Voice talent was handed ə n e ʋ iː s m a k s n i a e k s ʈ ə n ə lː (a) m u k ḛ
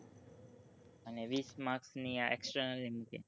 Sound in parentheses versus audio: incorrect: i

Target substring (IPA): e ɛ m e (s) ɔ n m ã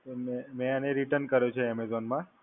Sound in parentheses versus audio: incorrect: z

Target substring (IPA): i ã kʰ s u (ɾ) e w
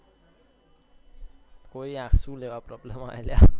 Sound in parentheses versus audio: incorrect: l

